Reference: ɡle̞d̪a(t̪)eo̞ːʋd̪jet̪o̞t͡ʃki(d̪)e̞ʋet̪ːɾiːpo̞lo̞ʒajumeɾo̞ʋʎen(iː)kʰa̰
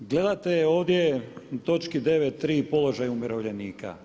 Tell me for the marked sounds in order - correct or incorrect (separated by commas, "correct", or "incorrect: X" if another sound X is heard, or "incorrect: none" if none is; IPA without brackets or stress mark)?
correct, correct, correct